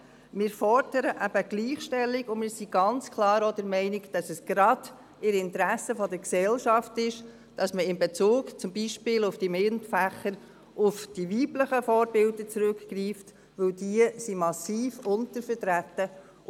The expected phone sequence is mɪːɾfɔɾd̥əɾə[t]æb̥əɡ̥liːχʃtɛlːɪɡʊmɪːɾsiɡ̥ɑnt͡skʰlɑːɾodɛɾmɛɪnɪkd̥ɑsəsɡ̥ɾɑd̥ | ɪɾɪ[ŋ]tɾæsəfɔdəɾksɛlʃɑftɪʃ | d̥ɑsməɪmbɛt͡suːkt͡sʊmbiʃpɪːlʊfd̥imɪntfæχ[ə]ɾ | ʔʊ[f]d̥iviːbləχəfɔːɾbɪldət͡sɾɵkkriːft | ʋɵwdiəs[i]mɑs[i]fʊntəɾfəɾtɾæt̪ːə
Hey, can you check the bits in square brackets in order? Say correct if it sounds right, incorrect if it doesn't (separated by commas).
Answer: incorrect, incorrect, correct, correct, correct, incorrect